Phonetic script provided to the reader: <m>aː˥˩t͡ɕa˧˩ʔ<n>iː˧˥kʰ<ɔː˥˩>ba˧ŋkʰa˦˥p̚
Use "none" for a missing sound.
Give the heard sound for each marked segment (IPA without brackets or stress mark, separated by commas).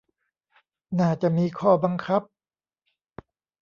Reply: n, m, ɔː˥˩